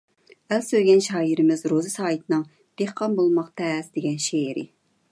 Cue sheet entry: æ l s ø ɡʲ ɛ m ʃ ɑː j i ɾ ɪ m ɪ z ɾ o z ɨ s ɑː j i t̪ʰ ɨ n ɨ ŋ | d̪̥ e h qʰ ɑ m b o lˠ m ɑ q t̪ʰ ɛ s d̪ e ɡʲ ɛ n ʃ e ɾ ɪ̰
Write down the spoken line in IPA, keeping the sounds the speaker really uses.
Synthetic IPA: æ l s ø ɡʲ ɛ n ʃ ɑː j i ɾ ɪ m ɪ z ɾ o z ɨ s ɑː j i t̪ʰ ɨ n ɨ ŋ | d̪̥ e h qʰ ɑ m b o lˠ m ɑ q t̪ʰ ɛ s d̪ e ɡʲ ɛ n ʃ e ɾ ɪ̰